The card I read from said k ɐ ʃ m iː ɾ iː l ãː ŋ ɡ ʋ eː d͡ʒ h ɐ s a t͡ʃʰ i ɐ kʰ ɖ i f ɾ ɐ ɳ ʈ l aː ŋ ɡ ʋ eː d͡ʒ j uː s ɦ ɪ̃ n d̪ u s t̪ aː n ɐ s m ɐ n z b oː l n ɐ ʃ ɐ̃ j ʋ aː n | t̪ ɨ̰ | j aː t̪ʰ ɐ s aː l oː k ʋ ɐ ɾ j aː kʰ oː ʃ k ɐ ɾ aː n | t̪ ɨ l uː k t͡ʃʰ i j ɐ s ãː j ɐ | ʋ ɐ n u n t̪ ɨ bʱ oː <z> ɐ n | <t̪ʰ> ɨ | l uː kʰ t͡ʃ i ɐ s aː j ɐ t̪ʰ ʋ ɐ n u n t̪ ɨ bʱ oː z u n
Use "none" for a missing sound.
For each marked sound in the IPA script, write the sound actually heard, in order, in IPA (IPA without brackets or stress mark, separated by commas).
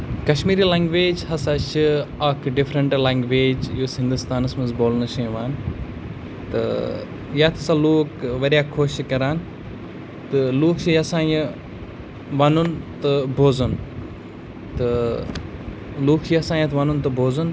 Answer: z, t̪